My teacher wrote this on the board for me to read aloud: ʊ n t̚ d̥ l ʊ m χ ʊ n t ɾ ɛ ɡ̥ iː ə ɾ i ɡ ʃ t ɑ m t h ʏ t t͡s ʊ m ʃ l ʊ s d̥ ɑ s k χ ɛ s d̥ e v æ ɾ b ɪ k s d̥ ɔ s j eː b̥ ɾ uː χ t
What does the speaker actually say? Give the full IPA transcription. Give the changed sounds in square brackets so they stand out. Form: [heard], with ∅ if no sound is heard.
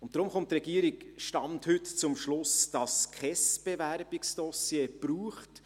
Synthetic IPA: ʊ n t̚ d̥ [ɾ] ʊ m χ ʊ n t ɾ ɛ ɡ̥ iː ə ɾ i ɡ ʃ t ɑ m t h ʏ t t͡s ʊ m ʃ l ʊ s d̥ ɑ s k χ ɛ s [b̥] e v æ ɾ b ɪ k s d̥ ɔ s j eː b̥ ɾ uː χ t